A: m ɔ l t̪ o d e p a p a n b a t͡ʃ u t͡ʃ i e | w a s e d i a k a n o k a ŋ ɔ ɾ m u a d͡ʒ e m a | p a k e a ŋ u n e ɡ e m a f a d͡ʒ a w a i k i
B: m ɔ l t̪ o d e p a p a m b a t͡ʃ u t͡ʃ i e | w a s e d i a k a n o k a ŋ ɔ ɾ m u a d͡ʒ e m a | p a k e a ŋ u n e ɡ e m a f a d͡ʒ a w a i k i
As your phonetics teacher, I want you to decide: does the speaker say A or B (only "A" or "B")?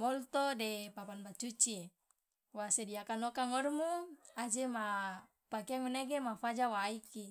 A